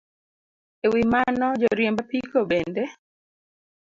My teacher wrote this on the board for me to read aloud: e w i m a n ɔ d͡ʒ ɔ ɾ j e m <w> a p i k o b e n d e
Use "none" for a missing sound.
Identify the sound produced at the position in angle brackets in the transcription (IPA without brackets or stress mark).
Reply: b